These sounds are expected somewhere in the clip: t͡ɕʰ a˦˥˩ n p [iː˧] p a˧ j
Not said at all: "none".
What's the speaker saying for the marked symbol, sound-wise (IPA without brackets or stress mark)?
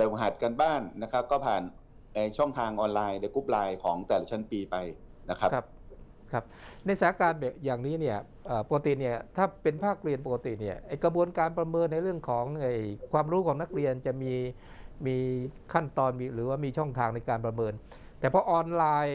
iː˧